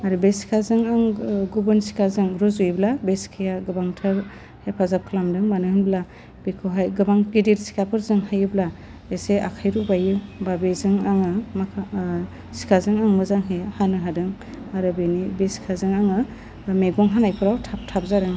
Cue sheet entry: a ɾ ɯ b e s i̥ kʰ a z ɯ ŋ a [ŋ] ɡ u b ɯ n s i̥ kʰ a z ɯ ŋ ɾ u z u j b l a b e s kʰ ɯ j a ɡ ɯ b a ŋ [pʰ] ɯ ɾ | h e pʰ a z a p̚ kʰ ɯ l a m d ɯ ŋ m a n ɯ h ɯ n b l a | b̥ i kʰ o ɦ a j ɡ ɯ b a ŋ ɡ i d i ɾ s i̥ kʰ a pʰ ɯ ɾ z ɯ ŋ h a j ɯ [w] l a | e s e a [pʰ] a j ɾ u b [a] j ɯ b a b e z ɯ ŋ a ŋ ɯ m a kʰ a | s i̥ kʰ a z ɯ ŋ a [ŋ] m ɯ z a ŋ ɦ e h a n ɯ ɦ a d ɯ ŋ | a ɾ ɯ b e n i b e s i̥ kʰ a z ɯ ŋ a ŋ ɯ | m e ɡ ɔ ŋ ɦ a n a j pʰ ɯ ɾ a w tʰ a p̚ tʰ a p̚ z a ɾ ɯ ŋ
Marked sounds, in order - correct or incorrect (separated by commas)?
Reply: correct, incorrect, incorrect, incorrect, correct, correct